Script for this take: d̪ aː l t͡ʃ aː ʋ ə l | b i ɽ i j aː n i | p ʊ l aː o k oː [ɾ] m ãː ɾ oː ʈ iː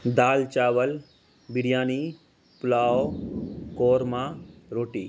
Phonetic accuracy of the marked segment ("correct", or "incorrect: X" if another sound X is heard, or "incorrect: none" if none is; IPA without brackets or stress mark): correct